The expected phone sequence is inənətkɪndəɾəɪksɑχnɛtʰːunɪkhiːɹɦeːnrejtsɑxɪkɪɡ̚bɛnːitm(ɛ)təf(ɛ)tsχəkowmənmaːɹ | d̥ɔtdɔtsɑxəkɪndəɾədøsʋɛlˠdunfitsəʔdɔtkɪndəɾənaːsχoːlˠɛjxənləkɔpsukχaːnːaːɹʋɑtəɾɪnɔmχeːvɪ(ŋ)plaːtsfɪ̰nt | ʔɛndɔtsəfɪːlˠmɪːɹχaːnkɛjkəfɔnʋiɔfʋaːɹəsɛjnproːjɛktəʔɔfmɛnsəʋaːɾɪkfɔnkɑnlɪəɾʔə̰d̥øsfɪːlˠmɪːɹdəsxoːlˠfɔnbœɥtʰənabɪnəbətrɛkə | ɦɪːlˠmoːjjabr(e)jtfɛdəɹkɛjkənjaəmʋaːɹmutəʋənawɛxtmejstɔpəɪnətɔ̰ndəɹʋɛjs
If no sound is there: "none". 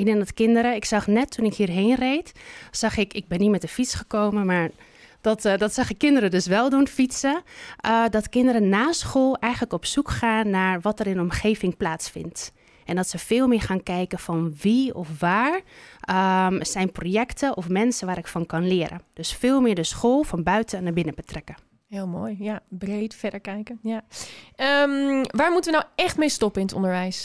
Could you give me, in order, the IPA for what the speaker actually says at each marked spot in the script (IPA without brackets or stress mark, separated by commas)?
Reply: ɛ, i, ŋ, e